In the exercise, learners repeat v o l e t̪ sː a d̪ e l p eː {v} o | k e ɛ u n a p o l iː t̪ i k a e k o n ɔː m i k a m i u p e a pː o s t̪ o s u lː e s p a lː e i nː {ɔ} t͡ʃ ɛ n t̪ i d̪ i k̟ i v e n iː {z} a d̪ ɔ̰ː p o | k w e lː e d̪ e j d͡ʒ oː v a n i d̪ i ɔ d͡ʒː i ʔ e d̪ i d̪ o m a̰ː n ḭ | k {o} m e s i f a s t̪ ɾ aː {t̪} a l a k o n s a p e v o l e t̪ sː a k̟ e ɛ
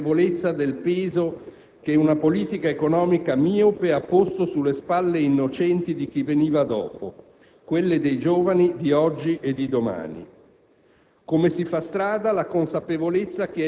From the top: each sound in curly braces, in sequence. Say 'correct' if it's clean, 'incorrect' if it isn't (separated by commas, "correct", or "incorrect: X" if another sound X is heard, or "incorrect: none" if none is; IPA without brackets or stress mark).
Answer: incorrect: z, incorrect: o, incorrect: v, correct, incorrect: d̪